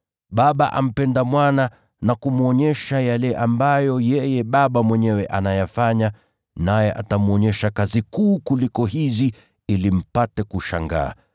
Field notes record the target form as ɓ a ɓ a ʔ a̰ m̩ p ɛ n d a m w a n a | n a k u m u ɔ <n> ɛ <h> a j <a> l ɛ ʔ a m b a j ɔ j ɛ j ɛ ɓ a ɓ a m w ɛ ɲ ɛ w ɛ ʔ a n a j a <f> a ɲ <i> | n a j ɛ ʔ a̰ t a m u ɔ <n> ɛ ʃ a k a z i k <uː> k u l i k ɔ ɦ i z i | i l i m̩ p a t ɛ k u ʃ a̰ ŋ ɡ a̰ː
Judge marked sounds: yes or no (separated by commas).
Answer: no, no, yes, yes, no, no, yes